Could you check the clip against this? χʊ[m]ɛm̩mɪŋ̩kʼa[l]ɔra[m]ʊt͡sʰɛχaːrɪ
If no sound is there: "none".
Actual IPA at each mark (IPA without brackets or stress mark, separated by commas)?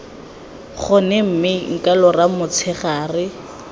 n, l, m